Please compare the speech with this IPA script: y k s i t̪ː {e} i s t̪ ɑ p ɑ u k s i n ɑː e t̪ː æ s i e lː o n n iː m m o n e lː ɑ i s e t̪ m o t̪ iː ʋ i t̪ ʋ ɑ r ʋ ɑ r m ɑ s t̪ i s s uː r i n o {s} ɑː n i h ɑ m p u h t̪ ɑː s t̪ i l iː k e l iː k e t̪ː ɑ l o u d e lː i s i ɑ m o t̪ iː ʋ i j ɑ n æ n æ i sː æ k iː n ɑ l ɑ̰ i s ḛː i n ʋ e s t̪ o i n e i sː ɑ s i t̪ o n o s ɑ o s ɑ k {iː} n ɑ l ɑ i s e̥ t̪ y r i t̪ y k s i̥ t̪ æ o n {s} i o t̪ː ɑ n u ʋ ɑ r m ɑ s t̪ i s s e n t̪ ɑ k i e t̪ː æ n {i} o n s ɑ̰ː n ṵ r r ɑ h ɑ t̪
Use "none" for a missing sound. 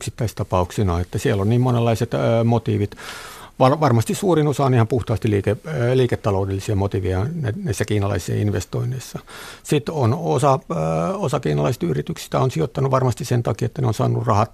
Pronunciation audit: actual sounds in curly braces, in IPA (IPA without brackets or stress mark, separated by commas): æ, s, iː, s, e